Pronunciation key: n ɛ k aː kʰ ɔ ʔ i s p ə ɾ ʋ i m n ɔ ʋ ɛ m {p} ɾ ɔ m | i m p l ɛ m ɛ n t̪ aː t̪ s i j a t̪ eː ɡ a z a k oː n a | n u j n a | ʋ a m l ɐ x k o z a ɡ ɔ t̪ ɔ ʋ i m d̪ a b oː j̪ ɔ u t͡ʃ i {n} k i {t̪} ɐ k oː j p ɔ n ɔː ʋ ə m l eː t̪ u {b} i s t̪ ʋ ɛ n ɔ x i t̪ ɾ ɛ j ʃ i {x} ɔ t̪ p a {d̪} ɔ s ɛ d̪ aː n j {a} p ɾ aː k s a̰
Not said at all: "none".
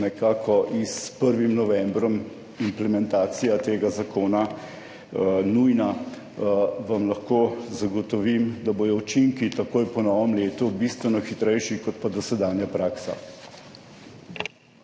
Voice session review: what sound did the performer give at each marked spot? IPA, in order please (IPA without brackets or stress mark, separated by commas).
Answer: b, ŋ, t̪, b, k, d̪, a